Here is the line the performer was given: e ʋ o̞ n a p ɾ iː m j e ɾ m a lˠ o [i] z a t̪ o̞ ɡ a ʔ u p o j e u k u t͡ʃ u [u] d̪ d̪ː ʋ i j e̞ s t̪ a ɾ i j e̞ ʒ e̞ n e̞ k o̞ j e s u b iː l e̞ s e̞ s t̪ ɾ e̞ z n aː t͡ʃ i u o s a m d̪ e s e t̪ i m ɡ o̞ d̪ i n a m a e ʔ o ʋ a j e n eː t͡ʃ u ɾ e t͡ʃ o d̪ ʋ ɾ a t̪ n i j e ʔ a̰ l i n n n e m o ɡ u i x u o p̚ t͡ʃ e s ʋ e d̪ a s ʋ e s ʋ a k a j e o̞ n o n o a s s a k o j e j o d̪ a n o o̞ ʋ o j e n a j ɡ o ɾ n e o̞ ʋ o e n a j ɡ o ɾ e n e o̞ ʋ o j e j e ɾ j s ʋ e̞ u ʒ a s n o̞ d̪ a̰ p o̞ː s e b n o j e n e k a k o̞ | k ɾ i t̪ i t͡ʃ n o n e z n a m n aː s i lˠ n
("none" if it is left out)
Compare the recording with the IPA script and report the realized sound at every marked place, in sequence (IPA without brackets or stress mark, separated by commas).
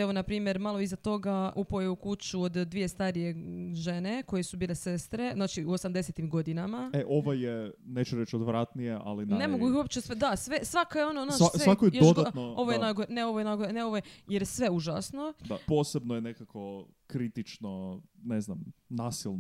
i, o